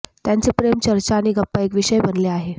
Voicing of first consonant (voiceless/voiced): voiceless